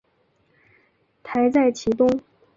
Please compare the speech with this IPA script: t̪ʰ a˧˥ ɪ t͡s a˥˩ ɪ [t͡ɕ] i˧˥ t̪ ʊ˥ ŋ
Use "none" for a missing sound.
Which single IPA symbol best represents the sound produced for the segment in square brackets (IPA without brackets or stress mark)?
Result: t͡ɕʰ